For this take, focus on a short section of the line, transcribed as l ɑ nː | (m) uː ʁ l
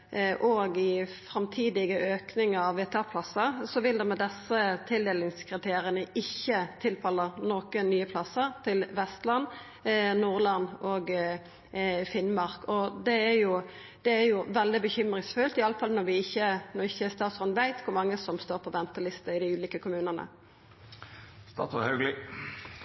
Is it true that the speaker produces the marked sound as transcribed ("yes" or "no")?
no